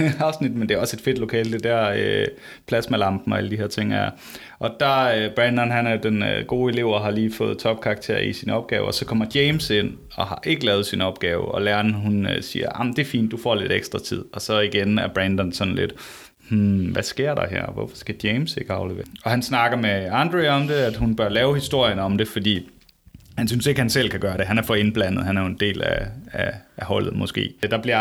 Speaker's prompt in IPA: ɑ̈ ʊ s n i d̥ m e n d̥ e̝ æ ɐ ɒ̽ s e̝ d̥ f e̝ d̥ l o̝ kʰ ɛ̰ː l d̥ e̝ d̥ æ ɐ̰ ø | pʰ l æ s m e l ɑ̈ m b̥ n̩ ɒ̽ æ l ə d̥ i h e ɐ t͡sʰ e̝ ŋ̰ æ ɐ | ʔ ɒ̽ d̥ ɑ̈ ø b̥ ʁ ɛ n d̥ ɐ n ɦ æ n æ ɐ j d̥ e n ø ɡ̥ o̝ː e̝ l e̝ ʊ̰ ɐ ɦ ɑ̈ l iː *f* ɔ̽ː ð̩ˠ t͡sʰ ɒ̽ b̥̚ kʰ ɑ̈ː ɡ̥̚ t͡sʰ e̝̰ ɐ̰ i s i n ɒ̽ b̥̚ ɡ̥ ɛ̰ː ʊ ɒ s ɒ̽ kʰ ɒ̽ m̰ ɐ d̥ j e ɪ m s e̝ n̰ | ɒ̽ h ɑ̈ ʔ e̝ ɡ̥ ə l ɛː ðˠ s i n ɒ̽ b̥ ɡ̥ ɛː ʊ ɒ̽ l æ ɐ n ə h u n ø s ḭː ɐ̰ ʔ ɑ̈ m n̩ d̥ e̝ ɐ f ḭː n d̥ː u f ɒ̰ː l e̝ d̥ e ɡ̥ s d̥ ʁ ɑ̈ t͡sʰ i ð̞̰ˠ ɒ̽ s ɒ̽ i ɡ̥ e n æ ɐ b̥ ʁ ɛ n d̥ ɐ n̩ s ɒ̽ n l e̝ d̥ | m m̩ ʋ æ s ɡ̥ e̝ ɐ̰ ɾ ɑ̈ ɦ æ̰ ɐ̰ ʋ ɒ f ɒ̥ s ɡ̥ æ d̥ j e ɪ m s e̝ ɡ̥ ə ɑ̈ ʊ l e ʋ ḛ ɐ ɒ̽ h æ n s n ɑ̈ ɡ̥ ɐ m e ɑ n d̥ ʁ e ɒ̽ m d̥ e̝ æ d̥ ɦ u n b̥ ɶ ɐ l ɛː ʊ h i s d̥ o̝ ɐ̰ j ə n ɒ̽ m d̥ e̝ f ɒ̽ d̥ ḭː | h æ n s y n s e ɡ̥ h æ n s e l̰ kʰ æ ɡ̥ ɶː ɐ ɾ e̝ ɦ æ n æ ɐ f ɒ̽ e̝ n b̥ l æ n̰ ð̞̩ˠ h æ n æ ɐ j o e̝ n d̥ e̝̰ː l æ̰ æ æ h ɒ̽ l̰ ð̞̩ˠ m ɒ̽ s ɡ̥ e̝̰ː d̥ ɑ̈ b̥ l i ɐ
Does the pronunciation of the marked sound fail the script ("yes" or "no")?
no